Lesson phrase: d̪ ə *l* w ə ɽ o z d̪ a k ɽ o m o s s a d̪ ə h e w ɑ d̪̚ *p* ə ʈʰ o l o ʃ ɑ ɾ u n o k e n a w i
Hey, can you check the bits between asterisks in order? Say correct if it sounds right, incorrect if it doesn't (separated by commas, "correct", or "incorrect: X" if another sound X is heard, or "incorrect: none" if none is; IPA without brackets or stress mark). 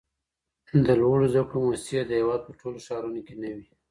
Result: correct, correct